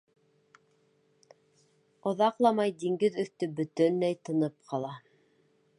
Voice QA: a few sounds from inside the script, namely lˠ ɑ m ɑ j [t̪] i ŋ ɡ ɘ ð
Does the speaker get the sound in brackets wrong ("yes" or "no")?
yes